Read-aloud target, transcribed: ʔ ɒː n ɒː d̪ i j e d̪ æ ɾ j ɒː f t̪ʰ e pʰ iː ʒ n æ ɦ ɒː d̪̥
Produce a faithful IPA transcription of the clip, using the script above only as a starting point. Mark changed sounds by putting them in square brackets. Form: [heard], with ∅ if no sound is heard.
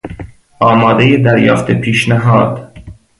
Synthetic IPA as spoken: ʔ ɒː [m] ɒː d̪ [e] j e d̪ æ ɾ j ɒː f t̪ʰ e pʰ iː [ʃ] n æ ɦ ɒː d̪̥